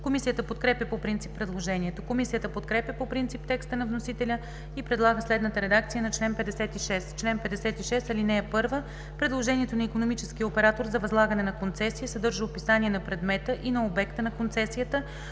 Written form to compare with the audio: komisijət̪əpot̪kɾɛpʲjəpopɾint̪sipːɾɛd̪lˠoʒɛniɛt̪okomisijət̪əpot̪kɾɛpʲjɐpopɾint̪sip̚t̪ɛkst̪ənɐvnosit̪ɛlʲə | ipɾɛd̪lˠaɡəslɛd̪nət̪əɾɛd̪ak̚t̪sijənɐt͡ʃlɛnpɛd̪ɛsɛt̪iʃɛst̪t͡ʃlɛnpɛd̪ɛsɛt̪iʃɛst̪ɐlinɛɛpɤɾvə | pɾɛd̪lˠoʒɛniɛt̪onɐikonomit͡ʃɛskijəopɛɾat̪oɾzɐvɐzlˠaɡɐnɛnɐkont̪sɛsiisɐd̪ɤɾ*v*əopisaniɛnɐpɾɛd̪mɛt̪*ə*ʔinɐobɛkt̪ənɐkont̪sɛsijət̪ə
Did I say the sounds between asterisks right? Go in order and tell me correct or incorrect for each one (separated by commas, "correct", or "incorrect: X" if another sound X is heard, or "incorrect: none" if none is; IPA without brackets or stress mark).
incorrect: ʒ, correct